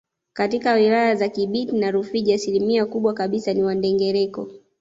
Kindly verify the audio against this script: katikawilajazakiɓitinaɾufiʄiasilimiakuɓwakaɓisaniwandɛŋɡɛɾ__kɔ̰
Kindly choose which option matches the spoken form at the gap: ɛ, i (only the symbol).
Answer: ɛ